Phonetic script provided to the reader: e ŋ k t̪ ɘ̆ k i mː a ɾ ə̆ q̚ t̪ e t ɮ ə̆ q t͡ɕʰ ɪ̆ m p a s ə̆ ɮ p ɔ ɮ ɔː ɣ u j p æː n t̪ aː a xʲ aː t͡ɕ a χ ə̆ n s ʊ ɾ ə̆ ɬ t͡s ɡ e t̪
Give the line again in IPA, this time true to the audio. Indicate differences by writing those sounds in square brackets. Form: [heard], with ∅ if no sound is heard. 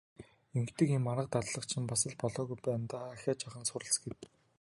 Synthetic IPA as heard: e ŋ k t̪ ɘ̆ k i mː a ɾ ə̆ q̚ t̪ [a] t ɮ ə̆ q t͡ɕʰ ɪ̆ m p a s ə̆ ɮ p ɔ ɮ ɔː ɣ u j p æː n t̪ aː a xʲ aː t͡ɕ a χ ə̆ n s ʊ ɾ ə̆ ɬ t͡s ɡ e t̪